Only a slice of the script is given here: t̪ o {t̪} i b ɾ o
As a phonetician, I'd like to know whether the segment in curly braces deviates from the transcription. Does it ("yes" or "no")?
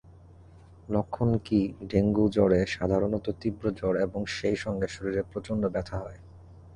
no